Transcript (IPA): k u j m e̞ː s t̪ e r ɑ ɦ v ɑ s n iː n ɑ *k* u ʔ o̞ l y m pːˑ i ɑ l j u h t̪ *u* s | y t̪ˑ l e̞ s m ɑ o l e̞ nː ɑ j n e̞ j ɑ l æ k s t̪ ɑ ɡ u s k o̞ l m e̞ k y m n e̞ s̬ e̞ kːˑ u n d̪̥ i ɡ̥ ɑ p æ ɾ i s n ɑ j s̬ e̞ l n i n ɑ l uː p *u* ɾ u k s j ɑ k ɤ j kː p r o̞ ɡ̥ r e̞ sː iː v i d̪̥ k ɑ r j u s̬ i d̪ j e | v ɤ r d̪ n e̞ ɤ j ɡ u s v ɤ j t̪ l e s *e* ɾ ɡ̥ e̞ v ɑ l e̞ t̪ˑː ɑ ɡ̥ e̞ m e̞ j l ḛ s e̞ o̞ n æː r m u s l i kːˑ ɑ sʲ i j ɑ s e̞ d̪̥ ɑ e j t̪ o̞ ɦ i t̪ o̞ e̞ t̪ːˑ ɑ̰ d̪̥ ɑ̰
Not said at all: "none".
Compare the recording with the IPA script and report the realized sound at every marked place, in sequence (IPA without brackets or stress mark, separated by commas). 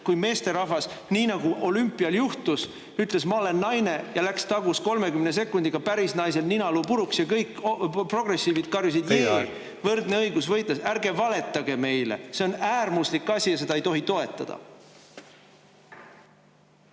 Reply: ɡ, u, u, æ